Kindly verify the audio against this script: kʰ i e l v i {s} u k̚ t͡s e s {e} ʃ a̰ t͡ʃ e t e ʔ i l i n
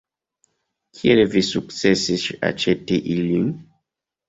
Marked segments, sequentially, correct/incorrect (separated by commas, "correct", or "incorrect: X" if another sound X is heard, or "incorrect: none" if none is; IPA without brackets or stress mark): correct, incorrect: i